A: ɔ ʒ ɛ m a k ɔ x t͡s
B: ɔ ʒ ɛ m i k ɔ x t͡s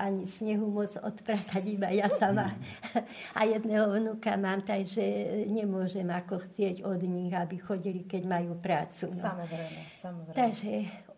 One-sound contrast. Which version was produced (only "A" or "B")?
A